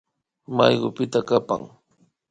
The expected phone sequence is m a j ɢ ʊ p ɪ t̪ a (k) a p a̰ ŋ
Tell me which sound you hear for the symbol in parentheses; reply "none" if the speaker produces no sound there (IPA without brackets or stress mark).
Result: k